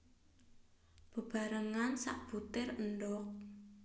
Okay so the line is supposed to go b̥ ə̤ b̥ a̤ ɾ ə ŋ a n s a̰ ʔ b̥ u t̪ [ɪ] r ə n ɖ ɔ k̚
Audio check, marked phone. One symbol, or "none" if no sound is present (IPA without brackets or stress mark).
ɪ